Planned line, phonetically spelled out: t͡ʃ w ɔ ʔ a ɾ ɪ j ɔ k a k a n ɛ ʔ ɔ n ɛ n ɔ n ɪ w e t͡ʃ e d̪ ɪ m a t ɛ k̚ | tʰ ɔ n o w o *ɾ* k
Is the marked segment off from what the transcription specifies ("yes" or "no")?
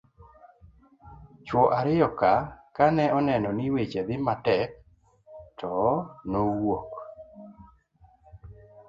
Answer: yes